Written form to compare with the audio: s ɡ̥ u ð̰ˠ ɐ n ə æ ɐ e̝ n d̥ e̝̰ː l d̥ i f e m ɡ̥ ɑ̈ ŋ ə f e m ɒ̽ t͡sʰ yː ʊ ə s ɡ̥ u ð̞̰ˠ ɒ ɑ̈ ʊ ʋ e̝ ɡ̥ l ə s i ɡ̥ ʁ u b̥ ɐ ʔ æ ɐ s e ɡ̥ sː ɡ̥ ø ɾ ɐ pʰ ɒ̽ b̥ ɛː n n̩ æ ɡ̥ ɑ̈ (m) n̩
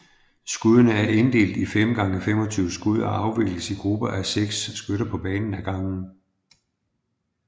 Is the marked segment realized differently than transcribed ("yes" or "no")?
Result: yes